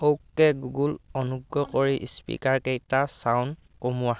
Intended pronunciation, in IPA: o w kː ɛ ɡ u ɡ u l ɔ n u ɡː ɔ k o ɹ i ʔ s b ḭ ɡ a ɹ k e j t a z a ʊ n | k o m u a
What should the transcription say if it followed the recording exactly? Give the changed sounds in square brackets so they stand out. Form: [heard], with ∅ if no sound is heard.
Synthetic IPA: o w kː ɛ ɡ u ɡ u l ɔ n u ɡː ɔ k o ɹ i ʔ s [p] ḭ [k] a ɹ k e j t a [s] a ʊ n | k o m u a